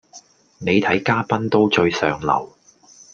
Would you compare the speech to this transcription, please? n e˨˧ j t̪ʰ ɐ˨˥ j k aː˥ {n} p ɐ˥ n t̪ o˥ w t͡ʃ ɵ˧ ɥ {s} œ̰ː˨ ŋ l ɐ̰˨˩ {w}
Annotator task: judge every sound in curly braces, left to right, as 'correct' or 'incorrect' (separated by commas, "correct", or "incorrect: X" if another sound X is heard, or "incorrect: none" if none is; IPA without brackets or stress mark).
incorrect: none, correct, correct